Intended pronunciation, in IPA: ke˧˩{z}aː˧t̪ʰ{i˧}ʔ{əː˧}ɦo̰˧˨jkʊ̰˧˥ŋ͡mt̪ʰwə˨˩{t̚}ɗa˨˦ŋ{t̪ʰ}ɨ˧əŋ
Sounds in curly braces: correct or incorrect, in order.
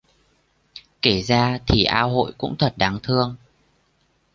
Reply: correct, incorrect: i˨˩, incorrect: aː˧, correct, correct

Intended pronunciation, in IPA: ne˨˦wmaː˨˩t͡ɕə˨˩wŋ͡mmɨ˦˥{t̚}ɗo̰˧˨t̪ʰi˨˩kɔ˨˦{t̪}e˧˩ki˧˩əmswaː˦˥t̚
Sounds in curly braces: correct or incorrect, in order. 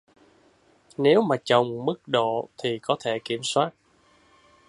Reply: incorrect: k̚, incorrect: t̪ʰ

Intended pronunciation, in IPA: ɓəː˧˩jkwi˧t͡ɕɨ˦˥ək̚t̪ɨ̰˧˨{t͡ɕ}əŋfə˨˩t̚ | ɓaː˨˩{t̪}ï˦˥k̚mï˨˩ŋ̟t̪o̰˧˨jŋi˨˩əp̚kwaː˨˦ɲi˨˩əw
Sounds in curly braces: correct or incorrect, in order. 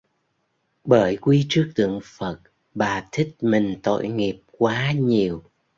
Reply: incorrect: none, incorrect: t̪ʰ

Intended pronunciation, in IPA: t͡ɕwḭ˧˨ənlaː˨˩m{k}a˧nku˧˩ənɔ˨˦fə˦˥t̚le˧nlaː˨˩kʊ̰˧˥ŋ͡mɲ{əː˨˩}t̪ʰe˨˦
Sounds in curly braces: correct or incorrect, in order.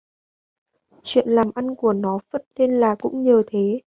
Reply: incorrect: ʔ, correct

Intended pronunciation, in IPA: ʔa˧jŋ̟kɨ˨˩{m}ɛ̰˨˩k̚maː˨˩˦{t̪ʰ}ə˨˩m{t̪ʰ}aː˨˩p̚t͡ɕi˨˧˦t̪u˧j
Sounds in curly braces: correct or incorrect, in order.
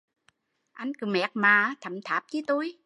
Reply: correct, correct, correct

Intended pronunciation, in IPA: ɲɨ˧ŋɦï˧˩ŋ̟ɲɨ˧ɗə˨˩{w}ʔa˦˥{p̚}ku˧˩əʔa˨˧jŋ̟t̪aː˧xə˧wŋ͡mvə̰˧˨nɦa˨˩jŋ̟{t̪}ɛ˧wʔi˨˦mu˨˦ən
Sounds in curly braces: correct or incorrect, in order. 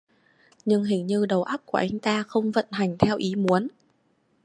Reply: correct, correct, incorrect: t̪ʰ

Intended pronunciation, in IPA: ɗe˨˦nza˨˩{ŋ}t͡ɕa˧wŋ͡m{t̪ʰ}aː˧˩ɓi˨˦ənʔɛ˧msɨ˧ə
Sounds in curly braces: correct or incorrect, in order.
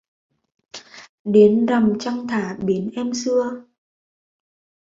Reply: incorrect: m, correct

